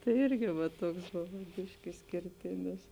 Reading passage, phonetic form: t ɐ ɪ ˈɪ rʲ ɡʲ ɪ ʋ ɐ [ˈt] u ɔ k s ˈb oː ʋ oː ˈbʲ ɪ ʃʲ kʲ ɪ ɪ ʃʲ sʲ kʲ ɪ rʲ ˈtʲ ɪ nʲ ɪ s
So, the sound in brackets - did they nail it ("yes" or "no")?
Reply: yes